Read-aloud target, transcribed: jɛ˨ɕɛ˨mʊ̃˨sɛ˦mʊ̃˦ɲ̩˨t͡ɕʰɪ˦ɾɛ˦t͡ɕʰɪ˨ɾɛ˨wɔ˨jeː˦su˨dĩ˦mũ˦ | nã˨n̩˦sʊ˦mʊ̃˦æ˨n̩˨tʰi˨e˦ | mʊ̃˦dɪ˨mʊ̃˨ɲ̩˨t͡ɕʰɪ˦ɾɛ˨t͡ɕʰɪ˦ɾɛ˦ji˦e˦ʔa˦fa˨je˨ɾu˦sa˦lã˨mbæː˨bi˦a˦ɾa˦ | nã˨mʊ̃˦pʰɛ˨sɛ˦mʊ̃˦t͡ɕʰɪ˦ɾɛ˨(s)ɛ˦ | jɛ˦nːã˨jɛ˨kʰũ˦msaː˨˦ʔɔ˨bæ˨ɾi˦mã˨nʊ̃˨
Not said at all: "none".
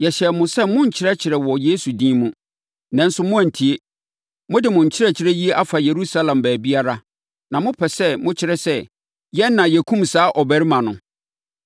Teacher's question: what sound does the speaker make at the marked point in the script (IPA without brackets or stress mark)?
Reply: s